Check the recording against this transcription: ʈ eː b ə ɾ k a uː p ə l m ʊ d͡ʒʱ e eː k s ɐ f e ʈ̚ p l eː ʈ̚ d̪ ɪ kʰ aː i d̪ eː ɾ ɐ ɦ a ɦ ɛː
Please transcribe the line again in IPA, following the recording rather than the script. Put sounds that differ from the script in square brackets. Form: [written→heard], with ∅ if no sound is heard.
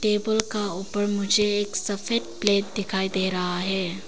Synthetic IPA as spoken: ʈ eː b ə [ɾ→l] k a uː p ə [l→ɾ] m ʊ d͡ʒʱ e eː k s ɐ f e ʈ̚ p l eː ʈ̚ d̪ ɪ kʰ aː i d̪ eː ɾ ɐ ɦ a ɦ ɛː